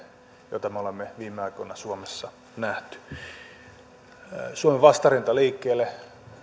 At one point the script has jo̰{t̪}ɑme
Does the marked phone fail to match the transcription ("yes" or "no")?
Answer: no